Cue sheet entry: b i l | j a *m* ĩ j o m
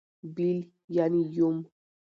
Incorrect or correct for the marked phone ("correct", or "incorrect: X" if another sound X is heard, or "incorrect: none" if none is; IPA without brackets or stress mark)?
incorrect: n